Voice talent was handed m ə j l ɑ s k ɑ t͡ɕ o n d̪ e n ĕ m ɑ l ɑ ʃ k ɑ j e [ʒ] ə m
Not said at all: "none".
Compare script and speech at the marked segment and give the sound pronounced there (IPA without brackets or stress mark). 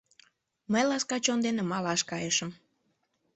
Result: ʃ